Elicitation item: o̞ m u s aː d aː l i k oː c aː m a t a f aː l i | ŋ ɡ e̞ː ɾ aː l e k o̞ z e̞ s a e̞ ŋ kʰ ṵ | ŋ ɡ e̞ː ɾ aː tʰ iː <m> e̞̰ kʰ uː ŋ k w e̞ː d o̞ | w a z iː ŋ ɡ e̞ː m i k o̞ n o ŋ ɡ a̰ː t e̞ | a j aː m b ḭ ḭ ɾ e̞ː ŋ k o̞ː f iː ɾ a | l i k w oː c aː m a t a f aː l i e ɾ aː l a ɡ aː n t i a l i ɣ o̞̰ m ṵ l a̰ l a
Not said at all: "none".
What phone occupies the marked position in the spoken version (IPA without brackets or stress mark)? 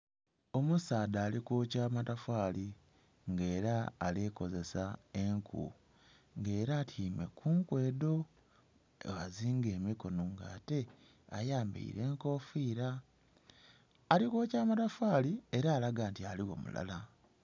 m